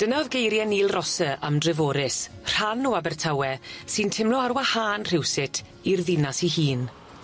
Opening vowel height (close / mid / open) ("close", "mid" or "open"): mid